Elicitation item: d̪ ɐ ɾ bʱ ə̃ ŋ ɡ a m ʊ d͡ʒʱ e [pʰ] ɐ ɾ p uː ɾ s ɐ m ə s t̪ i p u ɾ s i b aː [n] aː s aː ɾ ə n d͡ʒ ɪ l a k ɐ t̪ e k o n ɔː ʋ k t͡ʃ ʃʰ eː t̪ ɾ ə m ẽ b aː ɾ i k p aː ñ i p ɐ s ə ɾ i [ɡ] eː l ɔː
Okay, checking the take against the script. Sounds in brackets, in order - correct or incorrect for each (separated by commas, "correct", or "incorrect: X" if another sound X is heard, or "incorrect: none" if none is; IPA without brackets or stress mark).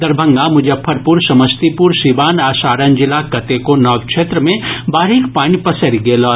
correct, correct, correct